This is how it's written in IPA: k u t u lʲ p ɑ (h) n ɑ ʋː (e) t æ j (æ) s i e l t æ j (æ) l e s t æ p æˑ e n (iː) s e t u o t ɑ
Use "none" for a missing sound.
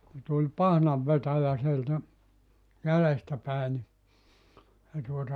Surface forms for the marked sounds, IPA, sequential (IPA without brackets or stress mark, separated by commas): h, e, æ, æ, i